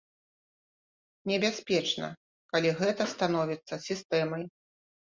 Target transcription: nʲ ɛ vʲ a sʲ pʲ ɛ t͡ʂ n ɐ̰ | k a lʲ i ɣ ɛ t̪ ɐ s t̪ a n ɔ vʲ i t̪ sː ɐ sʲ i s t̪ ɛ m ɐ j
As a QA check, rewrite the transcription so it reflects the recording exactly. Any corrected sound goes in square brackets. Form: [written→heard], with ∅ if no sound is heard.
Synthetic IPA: nʲ ɛ [vʲ→bʲ] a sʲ pʲ ɛ t͡ʂ n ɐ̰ | k a lʲ i ɣ ɛ t̪ ɐ s t̪ a n ɔ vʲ i t̪ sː ɐ sʲ i s t̪ ɛ m ɐ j